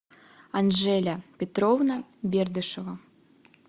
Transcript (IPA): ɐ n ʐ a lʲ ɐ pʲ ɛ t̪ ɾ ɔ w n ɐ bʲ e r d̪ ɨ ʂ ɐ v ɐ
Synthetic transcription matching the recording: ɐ n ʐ ɛ lʲ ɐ pʲ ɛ t̪ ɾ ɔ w n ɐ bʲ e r d̪ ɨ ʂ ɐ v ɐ

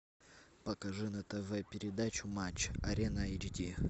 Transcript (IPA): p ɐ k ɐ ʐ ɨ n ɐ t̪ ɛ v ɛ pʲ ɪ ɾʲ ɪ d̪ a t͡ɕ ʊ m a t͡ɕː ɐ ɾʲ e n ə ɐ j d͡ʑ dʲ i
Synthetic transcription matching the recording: p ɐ k ɐ ʐ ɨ n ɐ t̪ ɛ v ɛ pʲ ɪ ɾʲ ɪ d̪ a t͡ɕ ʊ m a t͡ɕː ɐ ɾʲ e n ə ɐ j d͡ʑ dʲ i

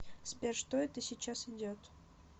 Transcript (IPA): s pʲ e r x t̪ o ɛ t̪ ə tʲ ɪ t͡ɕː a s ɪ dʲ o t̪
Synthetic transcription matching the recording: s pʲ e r ʂ t̪ o ɛ t̪ ə sʲ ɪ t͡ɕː a s ɪ dʲ o t̪

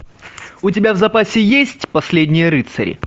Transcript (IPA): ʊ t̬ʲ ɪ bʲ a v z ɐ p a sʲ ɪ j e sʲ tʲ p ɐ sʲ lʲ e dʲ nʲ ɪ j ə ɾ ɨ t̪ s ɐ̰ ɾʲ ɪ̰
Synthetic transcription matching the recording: ʊ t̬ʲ ɪ bʲ a v z ɐ p a sʲ ɪ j e sʲ tʲ p ɐ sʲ lʲ e dʲ nʲ ɪ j ə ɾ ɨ t̪ s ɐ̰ ɾʲ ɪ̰

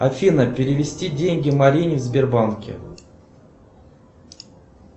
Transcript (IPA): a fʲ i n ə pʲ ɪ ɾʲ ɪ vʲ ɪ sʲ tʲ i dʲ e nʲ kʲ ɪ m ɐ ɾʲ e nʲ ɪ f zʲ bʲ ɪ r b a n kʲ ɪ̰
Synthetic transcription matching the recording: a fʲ i n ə pʲ ɪ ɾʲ ɪ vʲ ɪ sʲ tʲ i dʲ e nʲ ɡʲ ɪ m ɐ ɾʲ i nʲ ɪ v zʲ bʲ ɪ r b a n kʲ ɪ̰

